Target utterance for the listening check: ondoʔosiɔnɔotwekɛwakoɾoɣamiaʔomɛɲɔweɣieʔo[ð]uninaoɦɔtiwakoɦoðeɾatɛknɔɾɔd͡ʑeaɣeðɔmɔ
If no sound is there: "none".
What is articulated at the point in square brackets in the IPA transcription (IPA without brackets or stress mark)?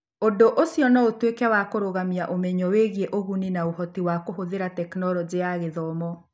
ɣ